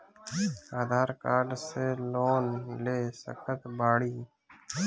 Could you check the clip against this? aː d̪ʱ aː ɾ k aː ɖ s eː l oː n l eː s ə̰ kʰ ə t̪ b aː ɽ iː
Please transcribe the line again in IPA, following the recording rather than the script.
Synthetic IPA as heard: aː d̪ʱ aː ɾ k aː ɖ s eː l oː n l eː s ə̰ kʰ ə t̪ b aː ɽ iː